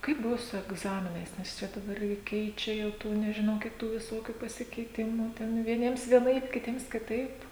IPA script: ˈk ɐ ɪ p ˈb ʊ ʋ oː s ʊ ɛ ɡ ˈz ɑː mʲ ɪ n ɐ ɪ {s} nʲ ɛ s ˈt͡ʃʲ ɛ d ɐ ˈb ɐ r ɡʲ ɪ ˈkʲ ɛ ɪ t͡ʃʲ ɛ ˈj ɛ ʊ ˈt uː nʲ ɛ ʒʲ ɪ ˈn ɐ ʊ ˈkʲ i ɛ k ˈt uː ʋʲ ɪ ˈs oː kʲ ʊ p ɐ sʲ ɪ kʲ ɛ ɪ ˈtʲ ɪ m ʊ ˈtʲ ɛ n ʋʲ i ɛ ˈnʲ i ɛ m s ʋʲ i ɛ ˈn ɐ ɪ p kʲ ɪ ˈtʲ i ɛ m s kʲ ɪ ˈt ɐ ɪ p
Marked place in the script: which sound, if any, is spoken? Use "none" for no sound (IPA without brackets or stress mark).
s